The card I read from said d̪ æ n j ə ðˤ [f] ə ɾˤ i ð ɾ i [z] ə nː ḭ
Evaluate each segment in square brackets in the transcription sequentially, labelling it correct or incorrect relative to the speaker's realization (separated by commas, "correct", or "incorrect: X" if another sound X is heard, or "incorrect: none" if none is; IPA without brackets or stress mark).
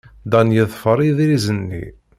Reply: correct, correct